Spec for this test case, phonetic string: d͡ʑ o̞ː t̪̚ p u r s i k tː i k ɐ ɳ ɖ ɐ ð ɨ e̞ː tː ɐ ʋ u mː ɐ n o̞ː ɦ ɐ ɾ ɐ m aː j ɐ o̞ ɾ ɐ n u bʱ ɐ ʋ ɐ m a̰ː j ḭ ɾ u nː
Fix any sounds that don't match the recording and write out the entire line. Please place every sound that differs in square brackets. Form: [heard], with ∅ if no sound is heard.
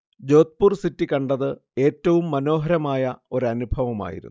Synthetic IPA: d͡ʑ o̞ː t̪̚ p u r s i [∅] tː i k ɐ ɳ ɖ ɐ ð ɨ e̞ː tː ɐ ʋ u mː ɐ n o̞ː ɦ ɐ ɾ ɐ m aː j ɐ o̞ ɾ ɐ n u bʱ ɐ ʋ ɐ m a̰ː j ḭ ɾ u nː